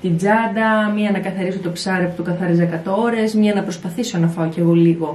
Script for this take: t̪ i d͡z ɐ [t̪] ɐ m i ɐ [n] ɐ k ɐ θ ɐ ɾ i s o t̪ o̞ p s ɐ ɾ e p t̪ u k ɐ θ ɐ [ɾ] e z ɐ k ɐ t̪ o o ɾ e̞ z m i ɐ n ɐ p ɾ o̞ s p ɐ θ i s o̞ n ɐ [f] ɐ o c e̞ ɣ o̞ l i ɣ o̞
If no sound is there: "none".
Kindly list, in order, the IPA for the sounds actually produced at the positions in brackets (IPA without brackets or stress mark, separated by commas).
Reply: d̪, n, ɾ, f